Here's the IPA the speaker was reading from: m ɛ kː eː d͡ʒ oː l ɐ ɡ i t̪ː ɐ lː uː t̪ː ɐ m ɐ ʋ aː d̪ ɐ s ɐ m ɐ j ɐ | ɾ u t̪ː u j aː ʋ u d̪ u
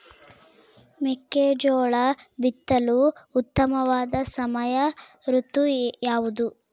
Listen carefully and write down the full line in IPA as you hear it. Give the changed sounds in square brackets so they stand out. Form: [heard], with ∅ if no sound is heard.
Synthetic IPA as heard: m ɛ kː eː d͡ʒ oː [ɭ] ɐ [b] i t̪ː ɐ [l] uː t̪ː ɐ m ɐ ʋ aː d̪ ɐ s ɐ m ɐ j ɐ | ɾ u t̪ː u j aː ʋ u d̪ u